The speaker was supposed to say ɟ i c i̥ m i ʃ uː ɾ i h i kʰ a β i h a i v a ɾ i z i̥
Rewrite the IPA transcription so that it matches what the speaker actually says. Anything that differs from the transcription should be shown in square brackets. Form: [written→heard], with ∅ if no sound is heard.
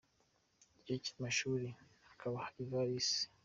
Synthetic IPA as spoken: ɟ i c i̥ m [i→a] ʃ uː ɾ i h [i→a] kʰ a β [i→a] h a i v a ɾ i [z→s] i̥